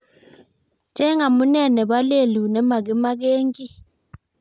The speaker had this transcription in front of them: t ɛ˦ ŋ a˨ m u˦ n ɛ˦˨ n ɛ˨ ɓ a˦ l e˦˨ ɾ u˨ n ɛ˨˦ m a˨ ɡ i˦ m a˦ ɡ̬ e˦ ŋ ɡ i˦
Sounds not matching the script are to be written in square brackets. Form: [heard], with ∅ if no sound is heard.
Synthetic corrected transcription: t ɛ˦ ŋ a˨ m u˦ n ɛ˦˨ n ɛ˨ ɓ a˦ l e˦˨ [l] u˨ n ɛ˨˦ m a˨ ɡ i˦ m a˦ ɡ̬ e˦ ŋ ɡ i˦